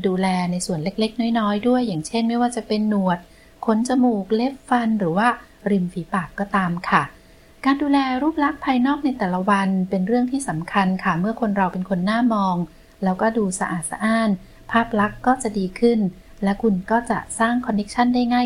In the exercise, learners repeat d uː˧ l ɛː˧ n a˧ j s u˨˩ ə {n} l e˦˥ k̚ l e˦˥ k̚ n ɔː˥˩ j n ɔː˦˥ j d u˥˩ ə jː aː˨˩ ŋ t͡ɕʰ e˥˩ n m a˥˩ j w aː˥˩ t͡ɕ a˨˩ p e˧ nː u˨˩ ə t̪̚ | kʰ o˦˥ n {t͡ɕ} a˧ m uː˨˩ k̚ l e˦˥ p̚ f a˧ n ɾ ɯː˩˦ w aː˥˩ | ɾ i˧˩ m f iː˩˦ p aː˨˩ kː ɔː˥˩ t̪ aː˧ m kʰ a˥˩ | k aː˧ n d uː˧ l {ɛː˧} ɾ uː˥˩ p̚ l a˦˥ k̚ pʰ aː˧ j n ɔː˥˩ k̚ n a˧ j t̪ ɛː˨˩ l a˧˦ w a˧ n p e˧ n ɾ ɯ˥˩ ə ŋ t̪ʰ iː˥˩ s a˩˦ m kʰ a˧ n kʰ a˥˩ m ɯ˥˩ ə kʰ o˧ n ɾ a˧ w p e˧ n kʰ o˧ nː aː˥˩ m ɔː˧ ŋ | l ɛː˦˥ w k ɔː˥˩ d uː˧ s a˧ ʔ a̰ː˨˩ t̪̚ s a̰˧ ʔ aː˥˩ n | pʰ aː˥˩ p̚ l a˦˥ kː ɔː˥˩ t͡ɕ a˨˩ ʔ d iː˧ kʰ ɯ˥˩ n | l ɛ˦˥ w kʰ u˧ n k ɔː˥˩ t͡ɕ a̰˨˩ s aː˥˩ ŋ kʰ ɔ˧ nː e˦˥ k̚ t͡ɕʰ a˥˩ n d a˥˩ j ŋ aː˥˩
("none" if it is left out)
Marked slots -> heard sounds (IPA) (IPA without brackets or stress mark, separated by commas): n, t͡ɕ, ɛː˧